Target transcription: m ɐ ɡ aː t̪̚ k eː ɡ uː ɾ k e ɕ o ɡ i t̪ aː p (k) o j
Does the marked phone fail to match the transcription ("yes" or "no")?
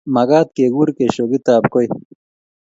no